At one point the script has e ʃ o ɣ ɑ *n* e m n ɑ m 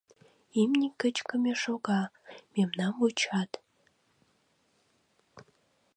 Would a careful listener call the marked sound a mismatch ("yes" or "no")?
yes